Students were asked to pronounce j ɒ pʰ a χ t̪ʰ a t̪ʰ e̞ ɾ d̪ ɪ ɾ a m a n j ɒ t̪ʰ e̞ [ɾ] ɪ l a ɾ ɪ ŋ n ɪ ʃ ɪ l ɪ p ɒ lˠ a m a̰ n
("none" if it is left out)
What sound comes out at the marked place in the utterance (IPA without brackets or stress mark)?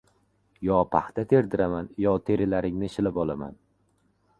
ɾ